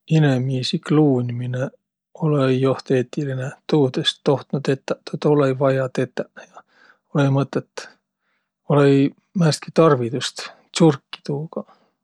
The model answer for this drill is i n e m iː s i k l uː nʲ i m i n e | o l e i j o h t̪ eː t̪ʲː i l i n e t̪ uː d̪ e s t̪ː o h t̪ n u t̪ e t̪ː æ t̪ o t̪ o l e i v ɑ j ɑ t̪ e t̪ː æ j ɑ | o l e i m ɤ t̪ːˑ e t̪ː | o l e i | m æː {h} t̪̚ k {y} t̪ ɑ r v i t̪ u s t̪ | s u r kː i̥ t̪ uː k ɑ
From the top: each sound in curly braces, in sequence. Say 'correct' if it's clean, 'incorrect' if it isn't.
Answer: incorrect: s, incorrect: i

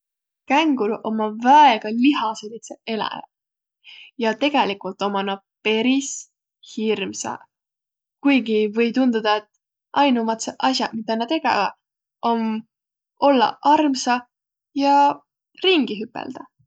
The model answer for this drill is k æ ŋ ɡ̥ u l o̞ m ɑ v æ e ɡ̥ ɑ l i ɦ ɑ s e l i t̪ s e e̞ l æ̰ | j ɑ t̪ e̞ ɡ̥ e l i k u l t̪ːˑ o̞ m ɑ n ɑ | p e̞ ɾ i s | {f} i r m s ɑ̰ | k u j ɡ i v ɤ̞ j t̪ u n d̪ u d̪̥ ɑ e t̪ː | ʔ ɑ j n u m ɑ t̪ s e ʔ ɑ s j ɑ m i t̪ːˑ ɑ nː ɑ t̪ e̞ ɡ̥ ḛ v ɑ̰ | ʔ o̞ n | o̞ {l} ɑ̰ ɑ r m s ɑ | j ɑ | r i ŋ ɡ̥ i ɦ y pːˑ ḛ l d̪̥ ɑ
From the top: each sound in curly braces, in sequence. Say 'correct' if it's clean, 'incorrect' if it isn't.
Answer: incorrect: h, incorrect: lː

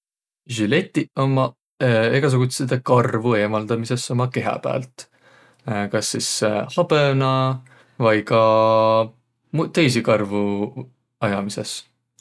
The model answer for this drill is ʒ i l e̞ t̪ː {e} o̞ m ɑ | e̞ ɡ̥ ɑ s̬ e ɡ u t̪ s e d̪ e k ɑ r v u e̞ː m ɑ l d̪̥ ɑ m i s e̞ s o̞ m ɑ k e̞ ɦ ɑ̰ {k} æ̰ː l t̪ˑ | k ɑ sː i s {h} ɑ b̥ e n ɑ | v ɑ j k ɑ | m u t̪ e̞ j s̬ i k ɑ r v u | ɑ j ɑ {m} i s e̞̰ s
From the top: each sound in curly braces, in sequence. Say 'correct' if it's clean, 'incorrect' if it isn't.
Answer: incorrect: i, incorrect: p, correct, correct

